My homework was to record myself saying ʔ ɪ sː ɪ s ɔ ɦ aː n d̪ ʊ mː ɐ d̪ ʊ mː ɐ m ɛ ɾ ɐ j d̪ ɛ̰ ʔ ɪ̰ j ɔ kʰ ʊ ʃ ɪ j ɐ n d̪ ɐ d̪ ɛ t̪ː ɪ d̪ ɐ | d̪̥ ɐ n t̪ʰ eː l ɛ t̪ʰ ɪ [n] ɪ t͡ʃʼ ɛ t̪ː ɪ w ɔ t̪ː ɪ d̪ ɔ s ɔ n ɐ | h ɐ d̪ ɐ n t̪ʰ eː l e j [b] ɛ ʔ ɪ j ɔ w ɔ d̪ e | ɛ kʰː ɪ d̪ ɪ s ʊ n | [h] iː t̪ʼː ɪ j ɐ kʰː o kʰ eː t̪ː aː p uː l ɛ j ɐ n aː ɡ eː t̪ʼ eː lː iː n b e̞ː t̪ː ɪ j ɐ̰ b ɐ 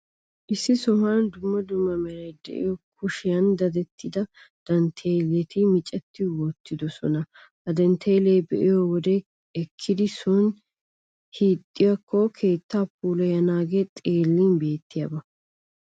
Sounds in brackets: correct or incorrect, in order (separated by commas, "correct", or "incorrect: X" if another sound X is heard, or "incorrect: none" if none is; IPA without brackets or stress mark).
incorrect: m, correct, correct